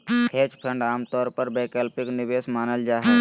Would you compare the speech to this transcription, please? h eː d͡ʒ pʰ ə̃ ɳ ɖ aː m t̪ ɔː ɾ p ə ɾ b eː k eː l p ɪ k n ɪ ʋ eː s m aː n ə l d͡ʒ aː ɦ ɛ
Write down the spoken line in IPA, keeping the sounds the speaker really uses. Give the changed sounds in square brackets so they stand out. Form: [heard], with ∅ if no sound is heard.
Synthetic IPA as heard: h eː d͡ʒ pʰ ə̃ ɳ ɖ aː m t̪ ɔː ɾ p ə ɾ b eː k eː l p ɪ k n ɪ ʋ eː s m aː n ə l d͡ʒ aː ɦ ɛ